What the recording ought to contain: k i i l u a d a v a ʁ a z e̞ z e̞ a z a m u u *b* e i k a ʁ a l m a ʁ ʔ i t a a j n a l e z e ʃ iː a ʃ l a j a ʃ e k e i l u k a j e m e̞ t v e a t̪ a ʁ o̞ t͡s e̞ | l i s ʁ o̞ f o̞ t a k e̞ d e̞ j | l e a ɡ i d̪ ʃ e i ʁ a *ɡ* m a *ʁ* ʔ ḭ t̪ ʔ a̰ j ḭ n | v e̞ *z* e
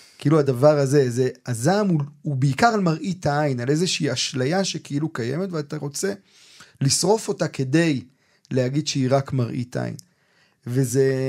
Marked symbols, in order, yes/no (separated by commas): yes, no, yes, yes